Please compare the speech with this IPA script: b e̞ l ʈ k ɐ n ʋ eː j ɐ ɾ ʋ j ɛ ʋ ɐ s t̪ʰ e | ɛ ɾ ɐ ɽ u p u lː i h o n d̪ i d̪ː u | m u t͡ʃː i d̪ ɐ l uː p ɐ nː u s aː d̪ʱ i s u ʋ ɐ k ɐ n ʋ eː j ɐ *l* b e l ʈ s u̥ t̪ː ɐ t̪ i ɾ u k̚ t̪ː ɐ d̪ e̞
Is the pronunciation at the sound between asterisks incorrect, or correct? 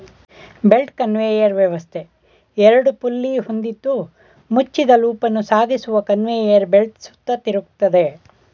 incorrect